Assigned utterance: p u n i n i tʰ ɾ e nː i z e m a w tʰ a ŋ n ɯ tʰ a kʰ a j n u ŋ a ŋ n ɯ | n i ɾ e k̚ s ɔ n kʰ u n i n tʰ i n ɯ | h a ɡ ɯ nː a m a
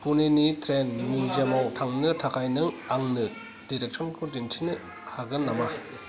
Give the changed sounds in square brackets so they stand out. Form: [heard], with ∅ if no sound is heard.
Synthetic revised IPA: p u n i n i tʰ ɾ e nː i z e m a w tʰ a ŋ n ɯ tʰ a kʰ a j n [ɯ] ŋ a ŋ n ɯ | [d] i ɾ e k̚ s ɔ n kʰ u [d] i n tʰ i n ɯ | h a ɡ ɯ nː a m a